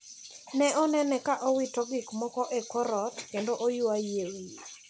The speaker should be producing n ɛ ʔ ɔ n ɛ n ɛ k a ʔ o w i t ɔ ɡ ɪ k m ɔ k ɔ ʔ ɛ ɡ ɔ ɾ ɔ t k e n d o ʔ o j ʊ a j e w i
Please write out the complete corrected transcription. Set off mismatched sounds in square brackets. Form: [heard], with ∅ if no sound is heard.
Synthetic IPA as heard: n ɛ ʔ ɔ n ɛ n ɛ k a ʔ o w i t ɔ ɡ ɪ k m ɔ k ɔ ʔ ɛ [k] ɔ ɾ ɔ t k e n d o ʔ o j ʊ a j e w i